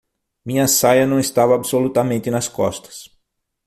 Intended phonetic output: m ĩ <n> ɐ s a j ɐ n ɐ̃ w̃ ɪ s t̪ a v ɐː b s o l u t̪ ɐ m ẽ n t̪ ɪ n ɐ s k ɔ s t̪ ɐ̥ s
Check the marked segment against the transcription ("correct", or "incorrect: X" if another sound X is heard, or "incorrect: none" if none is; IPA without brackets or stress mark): incorrect: ɲ